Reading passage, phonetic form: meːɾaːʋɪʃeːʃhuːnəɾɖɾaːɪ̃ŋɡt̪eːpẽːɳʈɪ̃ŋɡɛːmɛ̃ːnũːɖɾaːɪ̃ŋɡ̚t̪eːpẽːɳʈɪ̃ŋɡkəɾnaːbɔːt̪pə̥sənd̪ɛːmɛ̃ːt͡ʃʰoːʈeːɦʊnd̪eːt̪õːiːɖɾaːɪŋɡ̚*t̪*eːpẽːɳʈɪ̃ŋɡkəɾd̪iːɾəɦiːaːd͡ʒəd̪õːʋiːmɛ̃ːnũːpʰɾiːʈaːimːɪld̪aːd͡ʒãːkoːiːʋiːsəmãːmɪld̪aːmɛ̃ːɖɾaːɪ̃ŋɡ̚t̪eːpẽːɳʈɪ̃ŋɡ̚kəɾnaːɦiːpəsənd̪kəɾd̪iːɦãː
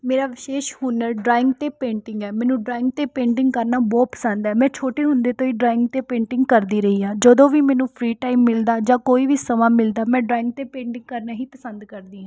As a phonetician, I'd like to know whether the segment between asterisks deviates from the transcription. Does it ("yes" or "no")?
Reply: no